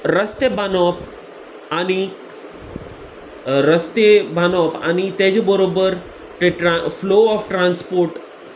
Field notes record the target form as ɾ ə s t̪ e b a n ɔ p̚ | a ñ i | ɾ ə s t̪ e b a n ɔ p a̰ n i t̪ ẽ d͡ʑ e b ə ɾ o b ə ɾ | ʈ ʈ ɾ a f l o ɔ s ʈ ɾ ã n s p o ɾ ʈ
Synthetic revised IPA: ɾ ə s t̪ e b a n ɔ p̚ | a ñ i | ɾ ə s t̪ e b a n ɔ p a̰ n i t̪ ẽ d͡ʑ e b ə ɾ o b ə ɾ | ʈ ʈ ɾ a f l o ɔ f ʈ ɾ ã n s p o ɾ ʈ